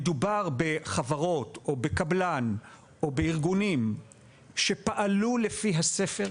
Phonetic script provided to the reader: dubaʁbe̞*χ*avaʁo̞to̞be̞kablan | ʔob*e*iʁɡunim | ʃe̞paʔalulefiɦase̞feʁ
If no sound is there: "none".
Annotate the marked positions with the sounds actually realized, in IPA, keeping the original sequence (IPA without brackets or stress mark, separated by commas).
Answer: χ, e